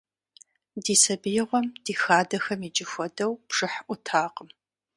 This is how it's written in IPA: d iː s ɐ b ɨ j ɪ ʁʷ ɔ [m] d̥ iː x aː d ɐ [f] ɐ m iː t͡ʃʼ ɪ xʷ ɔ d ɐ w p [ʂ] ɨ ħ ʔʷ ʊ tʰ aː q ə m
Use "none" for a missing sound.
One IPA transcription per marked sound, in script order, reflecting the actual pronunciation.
m, x, ʂ

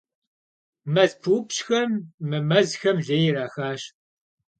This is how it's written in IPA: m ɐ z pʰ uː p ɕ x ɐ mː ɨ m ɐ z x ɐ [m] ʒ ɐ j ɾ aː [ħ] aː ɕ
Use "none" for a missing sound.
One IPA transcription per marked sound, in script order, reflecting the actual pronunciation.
m, x

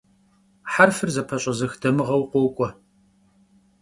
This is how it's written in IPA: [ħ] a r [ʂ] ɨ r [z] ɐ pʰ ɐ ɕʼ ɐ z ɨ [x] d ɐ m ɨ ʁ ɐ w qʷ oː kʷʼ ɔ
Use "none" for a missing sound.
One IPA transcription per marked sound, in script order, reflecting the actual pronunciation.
ħ, f, z, x

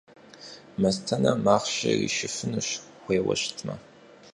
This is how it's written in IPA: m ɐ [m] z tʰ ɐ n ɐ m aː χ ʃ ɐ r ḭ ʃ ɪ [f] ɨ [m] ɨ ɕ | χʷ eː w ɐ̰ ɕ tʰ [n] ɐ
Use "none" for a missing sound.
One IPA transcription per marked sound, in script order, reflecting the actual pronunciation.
none, f, n, m

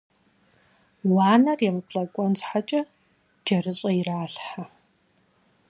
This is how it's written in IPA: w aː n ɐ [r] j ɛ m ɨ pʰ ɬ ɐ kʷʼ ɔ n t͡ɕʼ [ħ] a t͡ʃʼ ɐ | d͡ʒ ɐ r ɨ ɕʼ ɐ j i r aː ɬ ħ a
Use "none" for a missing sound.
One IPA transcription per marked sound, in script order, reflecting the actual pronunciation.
r, ħ

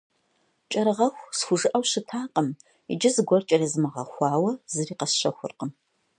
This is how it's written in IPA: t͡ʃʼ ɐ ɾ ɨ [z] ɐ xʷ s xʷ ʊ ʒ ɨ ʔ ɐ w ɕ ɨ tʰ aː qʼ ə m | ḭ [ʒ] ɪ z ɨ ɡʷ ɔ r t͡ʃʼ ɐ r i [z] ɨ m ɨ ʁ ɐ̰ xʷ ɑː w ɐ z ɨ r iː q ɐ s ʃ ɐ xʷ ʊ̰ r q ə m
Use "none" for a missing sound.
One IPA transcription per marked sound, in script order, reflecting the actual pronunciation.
ʁ, d͡ʒ, z

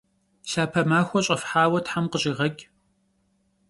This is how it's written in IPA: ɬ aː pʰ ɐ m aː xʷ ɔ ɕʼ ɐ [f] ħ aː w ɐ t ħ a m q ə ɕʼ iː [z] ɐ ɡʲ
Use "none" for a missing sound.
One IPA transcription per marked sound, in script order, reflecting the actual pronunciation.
f, ʁ

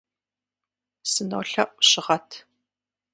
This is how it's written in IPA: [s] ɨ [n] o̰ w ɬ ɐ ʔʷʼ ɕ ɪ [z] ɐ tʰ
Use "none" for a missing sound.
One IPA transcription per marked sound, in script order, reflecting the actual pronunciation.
s, n, ʁ

